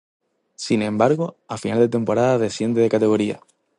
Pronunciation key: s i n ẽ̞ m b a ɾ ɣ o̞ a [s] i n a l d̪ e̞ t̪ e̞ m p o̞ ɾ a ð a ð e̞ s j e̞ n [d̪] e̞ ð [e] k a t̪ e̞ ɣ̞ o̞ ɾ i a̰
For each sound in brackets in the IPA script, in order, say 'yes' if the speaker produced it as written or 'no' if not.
no, yes, yes

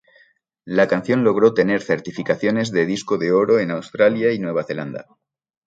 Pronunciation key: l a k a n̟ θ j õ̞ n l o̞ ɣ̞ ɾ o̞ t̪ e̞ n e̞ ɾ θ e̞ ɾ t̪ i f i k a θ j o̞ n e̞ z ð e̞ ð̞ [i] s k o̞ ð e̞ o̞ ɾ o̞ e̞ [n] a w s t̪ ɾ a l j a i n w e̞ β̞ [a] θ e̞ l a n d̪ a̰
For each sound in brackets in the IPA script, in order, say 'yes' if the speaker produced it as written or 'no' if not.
yes, yes, yes

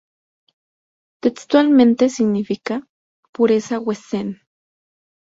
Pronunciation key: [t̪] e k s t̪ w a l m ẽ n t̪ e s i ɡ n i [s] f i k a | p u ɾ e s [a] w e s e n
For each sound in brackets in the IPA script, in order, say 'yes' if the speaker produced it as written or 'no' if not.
yes, no, yes

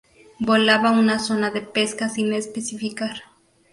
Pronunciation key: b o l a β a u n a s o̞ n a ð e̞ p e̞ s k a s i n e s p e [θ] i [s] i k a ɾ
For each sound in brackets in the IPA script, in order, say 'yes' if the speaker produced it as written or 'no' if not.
no, no

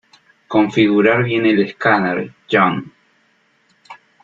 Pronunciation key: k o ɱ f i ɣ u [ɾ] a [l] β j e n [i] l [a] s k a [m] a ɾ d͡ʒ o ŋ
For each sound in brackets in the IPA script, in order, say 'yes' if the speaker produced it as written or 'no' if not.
yes, no, no, no, no

